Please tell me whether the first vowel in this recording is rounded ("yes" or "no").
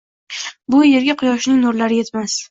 yes